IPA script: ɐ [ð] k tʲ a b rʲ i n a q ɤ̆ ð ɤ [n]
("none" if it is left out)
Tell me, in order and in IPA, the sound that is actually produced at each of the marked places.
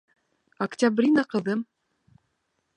none, m

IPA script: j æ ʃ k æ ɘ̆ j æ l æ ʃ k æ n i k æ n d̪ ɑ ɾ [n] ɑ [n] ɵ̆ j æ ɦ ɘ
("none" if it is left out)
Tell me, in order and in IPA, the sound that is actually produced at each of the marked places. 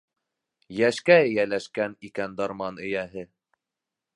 m, n

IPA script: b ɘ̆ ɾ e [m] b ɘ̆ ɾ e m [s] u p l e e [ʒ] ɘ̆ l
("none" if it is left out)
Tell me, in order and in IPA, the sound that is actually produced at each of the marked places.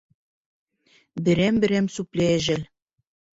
m, s, ʒ

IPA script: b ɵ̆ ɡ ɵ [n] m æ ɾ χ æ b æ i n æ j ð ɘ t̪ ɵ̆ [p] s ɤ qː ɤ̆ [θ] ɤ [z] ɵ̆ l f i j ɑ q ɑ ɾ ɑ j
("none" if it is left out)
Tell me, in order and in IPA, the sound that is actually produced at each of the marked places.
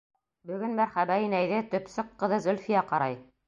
n, p, ð, z

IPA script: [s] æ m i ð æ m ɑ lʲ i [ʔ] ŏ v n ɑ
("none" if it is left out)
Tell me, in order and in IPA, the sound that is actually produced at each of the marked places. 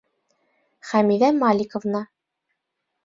χ, k

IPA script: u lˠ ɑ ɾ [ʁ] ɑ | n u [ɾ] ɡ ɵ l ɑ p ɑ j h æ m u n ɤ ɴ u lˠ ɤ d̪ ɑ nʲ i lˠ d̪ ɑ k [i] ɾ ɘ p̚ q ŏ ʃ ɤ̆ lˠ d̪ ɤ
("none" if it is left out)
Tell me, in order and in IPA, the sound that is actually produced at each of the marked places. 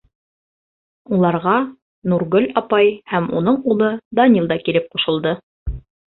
ʁ, ɾ, i

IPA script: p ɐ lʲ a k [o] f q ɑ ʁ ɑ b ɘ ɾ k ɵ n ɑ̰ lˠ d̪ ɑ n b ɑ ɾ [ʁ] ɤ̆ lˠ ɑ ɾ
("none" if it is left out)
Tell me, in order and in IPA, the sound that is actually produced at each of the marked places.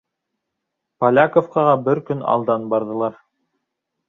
o, ð

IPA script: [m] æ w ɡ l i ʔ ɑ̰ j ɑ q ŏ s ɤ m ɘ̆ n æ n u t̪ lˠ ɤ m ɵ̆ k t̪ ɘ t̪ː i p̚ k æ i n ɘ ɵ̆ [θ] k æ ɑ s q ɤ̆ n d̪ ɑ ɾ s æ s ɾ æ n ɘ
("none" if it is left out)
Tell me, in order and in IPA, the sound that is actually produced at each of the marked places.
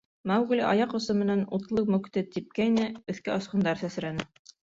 m, θ

